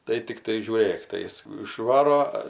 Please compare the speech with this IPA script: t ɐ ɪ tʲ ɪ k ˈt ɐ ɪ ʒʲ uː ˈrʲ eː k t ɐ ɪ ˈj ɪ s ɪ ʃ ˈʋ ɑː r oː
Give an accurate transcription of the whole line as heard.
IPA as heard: t ɐ ɪ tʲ ɪ k ˈt ɐ ɪ ʒʲ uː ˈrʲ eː k t ɐ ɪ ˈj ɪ s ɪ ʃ ˈʋ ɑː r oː